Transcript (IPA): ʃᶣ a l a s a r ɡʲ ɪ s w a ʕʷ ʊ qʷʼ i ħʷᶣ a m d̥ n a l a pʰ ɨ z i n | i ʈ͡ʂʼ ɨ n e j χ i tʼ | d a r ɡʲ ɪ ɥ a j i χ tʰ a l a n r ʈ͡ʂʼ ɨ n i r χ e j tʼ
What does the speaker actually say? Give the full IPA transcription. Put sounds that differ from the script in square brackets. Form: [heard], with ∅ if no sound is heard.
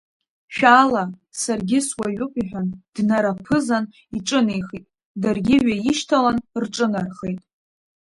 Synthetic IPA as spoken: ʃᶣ a l a s a r ɡʲ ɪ s w a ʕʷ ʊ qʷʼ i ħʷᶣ a [n] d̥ n a [ɾ] a pʰ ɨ z [a] n | i ʈ͡ʂʼ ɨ n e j χ i tʼ | d a r ɡʲ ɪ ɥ a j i [ʃ] tʰ a l a n r ʈ͡ʂʼ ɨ n [a] r χ e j tʼ